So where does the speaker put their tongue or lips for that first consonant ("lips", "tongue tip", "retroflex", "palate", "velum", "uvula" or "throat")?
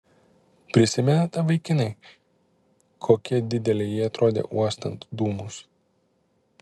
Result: lips